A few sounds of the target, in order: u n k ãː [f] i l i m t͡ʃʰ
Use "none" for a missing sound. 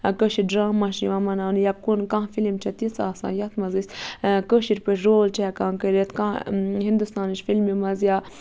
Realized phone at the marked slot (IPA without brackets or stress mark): f